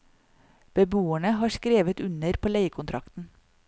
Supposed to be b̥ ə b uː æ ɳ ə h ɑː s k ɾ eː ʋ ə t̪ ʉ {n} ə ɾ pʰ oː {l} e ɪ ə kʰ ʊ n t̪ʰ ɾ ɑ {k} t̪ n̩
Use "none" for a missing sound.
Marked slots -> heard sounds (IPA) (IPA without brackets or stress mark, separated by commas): n, l, k